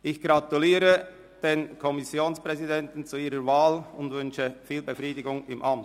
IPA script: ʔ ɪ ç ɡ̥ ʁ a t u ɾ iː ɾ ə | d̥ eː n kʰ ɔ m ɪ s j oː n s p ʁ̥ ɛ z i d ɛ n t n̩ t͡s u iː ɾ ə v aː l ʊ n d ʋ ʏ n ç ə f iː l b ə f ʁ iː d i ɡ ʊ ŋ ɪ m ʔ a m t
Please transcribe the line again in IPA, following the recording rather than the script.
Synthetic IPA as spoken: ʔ ɪ ç ɡ̥ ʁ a t u l iː ɾ ə | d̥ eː n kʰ ɔ m ɪ s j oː n s p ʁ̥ ɛ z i d ɛ n t n̩ t͡s u iː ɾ ə v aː l ʊ n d v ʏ n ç ə f iː l b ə f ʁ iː d ɪ ɡ ʊ ŋ ɪ m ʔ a m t